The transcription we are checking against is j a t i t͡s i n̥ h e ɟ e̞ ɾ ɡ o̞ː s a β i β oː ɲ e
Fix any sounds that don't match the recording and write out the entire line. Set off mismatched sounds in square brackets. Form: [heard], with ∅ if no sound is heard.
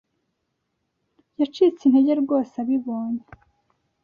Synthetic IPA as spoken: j a [t͡ʃ] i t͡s i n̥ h e ɟ e̞ ɾ ɡ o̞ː s a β i β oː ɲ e